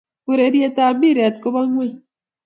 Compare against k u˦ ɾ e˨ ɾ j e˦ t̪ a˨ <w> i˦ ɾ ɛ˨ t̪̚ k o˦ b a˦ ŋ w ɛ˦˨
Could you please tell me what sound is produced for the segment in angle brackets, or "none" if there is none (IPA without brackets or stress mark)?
b